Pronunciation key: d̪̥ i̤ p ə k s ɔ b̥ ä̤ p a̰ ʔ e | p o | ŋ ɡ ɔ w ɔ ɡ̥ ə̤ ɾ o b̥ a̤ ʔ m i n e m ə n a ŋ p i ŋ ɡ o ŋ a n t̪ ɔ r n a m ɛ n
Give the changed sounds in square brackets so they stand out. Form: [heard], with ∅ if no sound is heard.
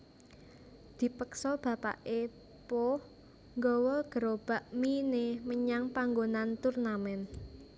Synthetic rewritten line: d̪̥ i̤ p ə k s ɔ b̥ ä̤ p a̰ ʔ e | p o | ŋ ɡ ɔ w ɔ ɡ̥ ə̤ ɾ o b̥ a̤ ʔ m i n e m ə [ɲ] a ŋ p [a] ŋ ɡ o [n] a n t̪ [u] r n a m ɛ n